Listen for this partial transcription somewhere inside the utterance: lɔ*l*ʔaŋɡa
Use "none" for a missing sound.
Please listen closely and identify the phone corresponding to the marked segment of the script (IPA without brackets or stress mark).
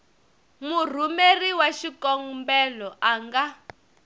none